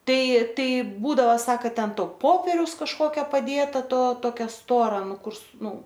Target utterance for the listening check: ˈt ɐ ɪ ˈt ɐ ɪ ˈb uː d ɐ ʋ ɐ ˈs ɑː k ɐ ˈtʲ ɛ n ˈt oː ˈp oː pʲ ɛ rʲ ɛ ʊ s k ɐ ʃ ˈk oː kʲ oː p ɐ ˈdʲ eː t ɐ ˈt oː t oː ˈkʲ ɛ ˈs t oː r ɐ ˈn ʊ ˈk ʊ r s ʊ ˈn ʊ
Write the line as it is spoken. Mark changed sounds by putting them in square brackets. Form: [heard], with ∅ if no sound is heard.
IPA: ˈt ɐ ɪ ˈt ɐ ɪ ˈb uː d ɐ ʋ ɐ ˈs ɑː k ɐ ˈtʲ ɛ n ˈt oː ˈp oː pʲ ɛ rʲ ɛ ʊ s k ɐ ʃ ˈk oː kʲ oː p ɐ ˈdʲ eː t ɐ ˈt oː t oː ˈkʲ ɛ ˈs t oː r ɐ ˈn ʊ ˈk ʊ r s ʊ ˈn ʊ